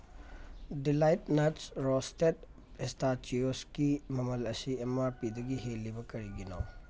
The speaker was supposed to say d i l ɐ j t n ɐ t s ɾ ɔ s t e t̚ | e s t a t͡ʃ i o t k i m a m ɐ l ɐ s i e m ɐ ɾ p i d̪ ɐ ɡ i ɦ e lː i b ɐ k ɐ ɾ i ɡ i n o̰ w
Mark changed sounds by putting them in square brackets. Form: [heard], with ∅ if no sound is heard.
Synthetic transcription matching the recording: d i l [a] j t n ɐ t s ɾ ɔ s t e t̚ | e s t a t͡ʃ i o [s] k i m [ɐ] m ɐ l ɐ s i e m [a] ɾ p i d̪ ɐ ɡ i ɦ e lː i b ɐ k ɐ ɾ i ɡ i n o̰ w